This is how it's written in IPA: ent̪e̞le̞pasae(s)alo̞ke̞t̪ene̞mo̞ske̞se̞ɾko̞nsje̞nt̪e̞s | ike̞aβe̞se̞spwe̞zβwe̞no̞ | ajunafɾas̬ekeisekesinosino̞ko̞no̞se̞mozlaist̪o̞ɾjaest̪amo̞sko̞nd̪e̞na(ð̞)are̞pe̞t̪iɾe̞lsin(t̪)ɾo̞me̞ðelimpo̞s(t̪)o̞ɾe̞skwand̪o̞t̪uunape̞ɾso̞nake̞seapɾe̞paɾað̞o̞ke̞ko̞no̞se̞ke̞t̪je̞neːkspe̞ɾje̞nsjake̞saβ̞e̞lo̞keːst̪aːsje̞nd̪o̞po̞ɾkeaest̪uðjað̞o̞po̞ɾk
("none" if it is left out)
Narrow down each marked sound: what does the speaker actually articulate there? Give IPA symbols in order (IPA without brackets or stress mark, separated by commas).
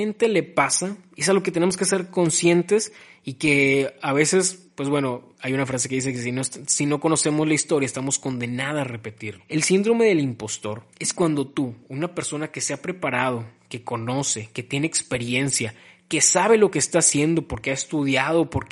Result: s, ð̞, d̪, t̪